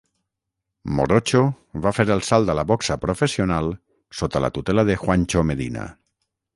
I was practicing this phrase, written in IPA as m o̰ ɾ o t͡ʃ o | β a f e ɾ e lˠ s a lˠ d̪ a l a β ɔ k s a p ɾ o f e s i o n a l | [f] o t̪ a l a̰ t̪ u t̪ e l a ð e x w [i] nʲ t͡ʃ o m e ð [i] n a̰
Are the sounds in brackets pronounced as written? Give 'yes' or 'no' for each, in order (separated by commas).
no, no, yes